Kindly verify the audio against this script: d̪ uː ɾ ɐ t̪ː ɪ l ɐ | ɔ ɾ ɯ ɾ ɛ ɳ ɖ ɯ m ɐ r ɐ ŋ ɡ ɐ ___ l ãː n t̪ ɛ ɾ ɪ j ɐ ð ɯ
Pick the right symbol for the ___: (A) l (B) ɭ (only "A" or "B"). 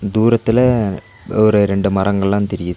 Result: B